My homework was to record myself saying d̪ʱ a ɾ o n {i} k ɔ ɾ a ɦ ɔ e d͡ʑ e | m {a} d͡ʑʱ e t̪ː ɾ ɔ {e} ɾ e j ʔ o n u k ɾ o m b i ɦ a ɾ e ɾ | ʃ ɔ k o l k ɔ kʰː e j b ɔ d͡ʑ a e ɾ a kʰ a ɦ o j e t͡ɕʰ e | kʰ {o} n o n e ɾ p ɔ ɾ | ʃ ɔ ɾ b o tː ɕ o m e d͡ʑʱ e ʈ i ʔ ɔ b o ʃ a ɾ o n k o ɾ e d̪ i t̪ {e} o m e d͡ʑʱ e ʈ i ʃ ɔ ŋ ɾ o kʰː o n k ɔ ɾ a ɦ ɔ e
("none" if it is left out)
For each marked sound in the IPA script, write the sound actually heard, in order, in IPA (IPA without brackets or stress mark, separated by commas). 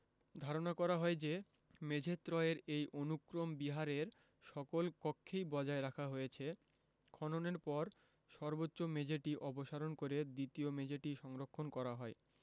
a, e, e, ɔ, i